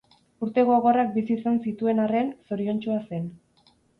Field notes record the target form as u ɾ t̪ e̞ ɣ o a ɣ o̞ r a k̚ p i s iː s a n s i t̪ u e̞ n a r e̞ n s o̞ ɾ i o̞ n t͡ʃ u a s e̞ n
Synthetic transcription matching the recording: u ɾ t̪ e̞ ɣ o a ɣ o̞ r a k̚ b i s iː s a n s i t̪ u e̞ n a r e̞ n s o̞ ɾ i o̞ n t͡ʃ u a s e̞ n

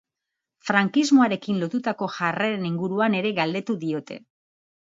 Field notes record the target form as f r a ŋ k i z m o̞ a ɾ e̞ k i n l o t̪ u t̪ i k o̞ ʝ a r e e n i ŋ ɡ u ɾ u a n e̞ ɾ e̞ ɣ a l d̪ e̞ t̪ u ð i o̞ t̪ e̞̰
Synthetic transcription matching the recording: f ɾ a ŋ k i z m o̞ a ɾ e̞ k i n l o t̪ u t̪ a k o̞ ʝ a r e e n i ŋ ɡ u ɾ u a n e̞ ɾ e̞ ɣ a l d̪ e̞ t̪ u ð i o̞ t̪ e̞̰

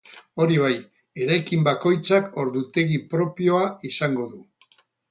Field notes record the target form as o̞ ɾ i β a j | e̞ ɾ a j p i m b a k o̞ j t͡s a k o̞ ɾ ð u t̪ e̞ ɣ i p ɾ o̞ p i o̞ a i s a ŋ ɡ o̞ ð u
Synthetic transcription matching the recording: o̞ ɾ i β a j | e̞ ɾ a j k i m b a k o̞ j t͡s a k o̞ ɾ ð u t̪ e̞ ɣ i p ɾ o̞ p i o̞ a i s a ŋ ɡ o̞ ð u

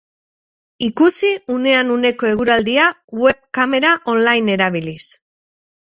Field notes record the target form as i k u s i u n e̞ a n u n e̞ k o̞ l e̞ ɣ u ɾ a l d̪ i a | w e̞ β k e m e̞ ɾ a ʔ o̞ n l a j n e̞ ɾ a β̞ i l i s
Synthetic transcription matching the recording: i k u s i u n e̞ a n u n e̞ k o̞ e̞ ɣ u ɾ a l d̪ i a | w e̞ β k a m e̞ ɾ a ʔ o̞ n l a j n e̞ ɾ a β̞ i l i s

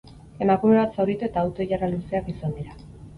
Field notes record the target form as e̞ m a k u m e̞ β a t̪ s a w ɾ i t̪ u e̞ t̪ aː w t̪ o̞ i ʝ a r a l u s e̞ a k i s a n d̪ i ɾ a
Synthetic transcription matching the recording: e̞ m a k u m e̞ β a t̪ s a w ɾ i t̪ u e̞ t̪ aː w t̪ o̞ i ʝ a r a l u s e̞ a k i s a n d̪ i ɾ a

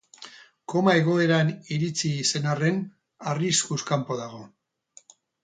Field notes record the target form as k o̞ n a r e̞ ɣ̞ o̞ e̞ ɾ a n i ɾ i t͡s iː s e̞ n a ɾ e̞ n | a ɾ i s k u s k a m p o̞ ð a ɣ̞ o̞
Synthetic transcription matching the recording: k o̞ m a e̞ ɣ̞ o̞ e̞ ɾ a n i ɾ i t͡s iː s e̞ n a r e̞ n | a r i s k u s k a m p o̞ ð a ɣ̞ o̞

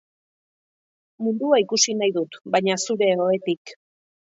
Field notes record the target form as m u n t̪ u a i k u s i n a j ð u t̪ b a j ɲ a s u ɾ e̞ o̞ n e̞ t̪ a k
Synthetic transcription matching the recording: m u n d̪ u a i k u s i n a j ð u t̪ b a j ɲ a s u ɾ e̞ o̞ e̞ t̪ i k

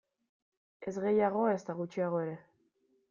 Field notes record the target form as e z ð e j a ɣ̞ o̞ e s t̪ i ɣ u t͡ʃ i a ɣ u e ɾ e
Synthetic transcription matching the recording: e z ɣ e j a ɣ̞ o̞ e s t̪ a ɣ u t͡ʃ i a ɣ o e ɾ e

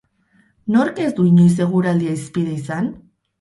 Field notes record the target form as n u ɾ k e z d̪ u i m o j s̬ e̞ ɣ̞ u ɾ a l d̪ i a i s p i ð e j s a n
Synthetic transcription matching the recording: n o ɾ k e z d̪ u i ɲ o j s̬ e̞ ɣ̞ u ɾ a l d̪ i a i s p i ð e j s a n

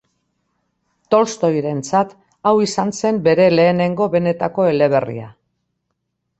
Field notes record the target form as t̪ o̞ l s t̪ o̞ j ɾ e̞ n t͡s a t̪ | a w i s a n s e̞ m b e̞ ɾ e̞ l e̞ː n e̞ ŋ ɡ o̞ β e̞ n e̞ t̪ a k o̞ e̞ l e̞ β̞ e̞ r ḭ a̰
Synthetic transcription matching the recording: t̪ o̞ l s t̪ o̞ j ɾ e̞ n t͡s a t̪ | a w i s a n s e̞ m b e̞ ɾ e̞ l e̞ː n e̞ ŋ ɡ o̞ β e̞ n e̞ t̪ a k o̞ e̞ l e̞ β̞ e̞ r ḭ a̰

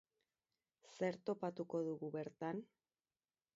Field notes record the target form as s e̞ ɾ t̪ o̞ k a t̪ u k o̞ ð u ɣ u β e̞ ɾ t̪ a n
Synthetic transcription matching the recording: s e̞ ɾ t̪ o̞ p a t̪ u k o̞ ð u ɣ u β e̞ ɾ t̪ a n

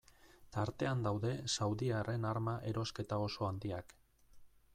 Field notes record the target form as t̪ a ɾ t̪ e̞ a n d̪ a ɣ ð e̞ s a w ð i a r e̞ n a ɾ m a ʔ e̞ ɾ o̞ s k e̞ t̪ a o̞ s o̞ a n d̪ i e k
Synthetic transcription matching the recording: t̪ a ɾ t̪ e̞ a n d̪ a w ð e̞ s a w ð i a r e̞ n a ɾ m a ʔ e̞ ɾ o̞ s k e̞ t̪ a o̞ s o̞ a n d̪ i a k

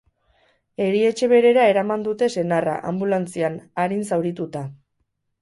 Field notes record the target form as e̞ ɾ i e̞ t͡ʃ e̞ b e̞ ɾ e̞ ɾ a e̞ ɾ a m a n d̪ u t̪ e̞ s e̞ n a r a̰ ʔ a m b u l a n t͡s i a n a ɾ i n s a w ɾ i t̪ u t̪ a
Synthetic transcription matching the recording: e̞ ɾ i e̞ t͡ʃ e̞ β e̞ ɾ e̞ ɾ a e̞ ɾ a m a n d̪ u t̪ e̞ s e̞ n a r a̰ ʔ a m b u l a n t͡s i a n a ɾ i n s a w ɾ i t̪ u t̪ a

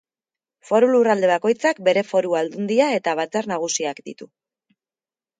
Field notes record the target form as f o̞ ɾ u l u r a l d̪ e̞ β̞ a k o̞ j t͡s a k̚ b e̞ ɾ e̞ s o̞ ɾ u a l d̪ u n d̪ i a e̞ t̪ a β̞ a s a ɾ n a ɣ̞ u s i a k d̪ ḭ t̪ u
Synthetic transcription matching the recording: f o̞ ɾ u l u r a l d̪ e̞ β̞ a k o̞ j t͡s a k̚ b e̞ ɾ e̞ f o̞ ɾ u a l d̪ u n d̪ i a e̞ t̪ a β̞ a t͡s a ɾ n a ɣ̞ u s i a k d̪ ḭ t̪ u

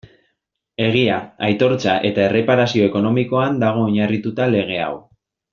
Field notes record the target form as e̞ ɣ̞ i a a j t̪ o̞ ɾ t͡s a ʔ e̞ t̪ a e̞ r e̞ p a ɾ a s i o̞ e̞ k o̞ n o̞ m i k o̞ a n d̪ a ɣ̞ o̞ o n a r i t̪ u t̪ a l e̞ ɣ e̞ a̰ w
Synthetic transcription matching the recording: e̞ ɣ̞ i a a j t̪ o̞ ɾ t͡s a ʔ e̞ t̪ a e̞ r e̞ p a ɾ a s i o̞ e̞ k o̞ n o̞ m i k o̞ a n d̪ a ɣ̞ o̞ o ɲ a r i t̪ u t̪ a l e̞ ɣ e̞ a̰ w

